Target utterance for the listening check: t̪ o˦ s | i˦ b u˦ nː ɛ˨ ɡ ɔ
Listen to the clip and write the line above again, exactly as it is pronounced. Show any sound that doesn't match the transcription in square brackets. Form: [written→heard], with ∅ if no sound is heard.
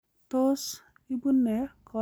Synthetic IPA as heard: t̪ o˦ s | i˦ b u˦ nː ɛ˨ [ɡ→k] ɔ